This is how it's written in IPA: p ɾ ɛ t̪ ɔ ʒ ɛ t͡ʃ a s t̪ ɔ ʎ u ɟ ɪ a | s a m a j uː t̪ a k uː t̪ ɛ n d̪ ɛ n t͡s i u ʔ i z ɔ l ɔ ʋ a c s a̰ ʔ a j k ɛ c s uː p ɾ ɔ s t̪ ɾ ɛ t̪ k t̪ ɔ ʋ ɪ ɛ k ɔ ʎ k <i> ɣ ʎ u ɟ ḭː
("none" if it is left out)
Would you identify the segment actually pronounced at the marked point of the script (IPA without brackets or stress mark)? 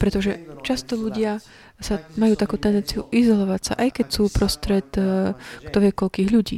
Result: iː